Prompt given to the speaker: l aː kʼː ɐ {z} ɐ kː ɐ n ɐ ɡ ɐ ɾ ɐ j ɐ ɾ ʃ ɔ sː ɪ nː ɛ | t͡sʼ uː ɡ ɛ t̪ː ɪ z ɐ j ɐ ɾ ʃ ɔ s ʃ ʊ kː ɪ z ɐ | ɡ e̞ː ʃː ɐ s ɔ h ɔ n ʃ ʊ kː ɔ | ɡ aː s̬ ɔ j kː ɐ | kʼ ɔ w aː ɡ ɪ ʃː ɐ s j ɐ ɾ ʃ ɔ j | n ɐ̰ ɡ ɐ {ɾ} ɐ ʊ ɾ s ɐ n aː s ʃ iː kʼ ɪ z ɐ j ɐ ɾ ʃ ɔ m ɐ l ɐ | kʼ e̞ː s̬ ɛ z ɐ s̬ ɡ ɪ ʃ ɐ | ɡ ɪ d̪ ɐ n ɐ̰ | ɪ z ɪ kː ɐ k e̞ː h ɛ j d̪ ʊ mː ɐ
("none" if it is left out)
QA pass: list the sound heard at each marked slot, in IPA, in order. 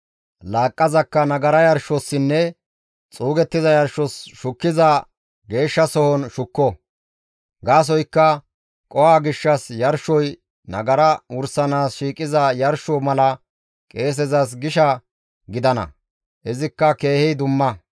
z, ɾ

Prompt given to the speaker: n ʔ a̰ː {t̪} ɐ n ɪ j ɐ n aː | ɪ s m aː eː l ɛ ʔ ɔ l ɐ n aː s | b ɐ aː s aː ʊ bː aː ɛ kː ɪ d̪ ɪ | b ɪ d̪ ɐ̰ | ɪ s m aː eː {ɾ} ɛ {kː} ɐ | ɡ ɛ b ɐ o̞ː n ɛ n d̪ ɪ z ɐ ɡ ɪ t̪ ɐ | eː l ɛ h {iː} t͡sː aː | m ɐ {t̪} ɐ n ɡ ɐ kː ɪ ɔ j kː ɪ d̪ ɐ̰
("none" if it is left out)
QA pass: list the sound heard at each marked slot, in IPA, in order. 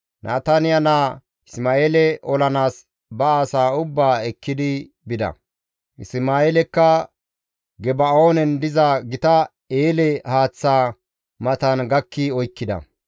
t̪, l, kː, aː, t̪

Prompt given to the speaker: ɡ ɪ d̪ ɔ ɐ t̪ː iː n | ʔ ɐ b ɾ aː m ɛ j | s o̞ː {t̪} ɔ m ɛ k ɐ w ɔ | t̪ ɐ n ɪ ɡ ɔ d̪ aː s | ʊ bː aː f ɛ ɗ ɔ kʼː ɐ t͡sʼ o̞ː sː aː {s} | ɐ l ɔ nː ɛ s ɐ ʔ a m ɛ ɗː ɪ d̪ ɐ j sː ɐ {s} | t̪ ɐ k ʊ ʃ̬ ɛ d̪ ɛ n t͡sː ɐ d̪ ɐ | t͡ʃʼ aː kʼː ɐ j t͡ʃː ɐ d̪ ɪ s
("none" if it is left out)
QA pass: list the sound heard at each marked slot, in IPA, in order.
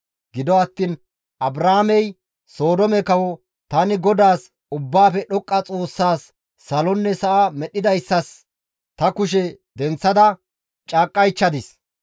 d̪, sː, s

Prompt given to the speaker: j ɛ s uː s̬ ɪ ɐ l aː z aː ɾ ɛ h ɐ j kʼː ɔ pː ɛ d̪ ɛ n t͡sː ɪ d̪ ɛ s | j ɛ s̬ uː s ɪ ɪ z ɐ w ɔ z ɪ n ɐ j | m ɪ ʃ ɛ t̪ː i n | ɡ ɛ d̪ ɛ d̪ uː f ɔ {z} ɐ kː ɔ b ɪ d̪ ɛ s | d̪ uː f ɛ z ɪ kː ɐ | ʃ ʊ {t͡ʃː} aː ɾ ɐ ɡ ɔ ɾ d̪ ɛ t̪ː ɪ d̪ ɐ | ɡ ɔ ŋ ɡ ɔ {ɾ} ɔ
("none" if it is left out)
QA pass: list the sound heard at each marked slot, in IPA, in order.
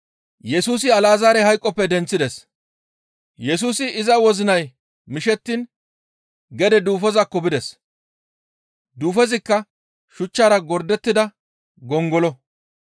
z, t͡ʃː, l

